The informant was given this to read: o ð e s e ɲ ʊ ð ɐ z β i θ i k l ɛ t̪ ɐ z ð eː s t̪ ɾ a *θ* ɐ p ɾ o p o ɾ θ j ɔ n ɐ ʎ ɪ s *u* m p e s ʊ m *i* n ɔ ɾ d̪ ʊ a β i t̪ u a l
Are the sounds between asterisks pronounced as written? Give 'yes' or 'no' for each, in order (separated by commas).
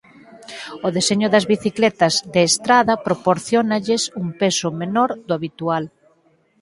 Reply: no, yes, no